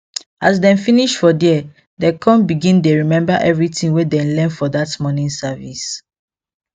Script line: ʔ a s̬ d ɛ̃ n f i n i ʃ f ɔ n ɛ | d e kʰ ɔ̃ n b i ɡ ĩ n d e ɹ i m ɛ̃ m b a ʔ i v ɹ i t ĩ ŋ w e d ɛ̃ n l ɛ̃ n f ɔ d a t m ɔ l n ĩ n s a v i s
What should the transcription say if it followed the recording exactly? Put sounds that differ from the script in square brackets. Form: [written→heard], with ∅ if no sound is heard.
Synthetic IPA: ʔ a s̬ d ɛ̃ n f i n i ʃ f ɔ [n→d] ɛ | d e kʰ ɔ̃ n b i ɡ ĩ n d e ɹ i m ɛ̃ m b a ʔ [i→ɛ] v ɹ i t ĩ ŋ w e d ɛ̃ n l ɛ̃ n f ɔ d a t m ɔ [l→∅] n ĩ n s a v i s